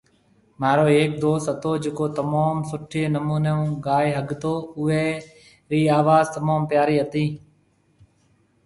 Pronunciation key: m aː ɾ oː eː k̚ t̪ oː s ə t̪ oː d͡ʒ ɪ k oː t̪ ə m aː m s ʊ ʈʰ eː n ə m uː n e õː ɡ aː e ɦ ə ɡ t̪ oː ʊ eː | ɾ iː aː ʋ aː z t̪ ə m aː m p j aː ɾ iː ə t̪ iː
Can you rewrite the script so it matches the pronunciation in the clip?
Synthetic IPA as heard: m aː ɾ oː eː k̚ d̪ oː s ə t̪ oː d͡ʒ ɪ k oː t̪ ə m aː m s ʊ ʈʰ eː n ə m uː n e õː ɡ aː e ɦ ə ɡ t̪ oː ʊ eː | ɾ iː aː ʋ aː z t̪ ə m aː m p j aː ɾ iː ə t̪ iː